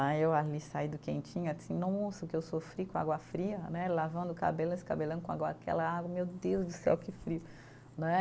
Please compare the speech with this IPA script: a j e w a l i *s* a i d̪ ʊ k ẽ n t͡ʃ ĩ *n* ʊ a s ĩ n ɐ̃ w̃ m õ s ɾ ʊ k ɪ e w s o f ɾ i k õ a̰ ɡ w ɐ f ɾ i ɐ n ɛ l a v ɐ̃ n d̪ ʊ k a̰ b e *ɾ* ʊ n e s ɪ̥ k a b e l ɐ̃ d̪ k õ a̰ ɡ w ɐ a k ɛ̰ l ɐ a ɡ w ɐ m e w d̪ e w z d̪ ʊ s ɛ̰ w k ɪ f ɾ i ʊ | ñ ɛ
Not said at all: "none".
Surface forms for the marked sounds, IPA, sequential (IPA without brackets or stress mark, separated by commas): s, ɲ, l